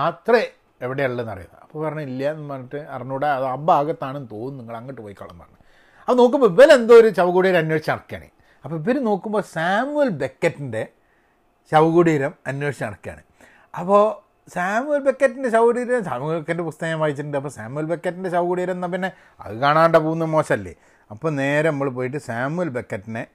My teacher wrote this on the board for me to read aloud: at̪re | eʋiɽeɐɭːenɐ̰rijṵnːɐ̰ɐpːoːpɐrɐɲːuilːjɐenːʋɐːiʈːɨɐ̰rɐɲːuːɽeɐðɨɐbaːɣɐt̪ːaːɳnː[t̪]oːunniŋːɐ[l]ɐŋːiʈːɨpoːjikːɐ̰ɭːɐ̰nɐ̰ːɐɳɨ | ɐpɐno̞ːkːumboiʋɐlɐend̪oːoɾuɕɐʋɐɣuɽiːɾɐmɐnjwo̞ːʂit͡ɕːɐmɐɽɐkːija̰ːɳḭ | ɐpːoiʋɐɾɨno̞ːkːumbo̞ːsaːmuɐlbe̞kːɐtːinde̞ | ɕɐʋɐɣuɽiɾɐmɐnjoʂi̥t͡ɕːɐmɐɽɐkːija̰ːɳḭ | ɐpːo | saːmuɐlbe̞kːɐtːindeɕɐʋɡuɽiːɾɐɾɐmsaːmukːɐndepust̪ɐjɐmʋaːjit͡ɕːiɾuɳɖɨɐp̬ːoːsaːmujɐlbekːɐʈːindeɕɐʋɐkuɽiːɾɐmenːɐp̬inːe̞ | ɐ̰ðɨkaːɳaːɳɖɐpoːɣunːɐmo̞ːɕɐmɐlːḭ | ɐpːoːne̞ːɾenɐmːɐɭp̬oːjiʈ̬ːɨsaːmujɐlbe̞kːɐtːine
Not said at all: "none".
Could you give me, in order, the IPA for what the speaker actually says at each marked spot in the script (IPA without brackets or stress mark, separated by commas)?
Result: t̪, ɭ